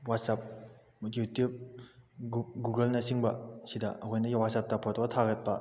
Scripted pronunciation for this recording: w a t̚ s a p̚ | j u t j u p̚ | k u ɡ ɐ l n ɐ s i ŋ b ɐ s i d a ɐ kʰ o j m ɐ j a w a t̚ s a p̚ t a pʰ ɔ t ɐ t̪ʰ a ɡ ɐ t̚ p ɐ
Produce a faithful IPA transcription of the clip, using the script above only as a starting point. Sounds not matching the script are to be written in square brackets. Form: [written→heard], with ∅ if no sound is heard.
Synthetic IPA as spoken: w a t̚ s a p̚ | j u t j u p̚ | [k→ɡ] u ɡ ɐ l n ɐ s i ŋ b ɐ s i d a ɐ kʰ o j [m→n] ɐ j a w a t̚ s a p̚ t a pʰ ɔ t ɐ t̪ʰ a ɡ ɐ t̚ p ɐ